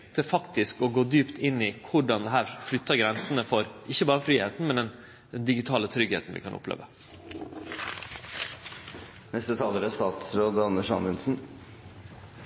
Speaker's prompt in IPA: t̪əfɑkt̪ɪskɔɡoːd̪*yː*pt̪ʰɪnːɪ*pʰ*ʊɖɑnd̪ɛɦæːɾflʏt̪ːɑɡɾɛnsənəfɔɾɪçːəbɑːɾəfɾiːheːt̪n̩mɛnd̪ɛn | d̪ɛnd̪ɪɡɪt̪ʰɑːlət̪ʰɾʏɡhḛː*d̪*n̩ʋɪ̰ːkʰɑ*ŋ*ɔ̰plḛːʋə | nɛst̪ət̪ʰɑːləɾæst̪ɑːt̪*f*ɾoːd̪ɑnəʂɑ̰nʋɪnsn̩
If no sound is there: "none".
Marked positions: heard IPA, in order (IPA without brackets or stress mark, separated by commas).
yː, kʰ, t̪, n, s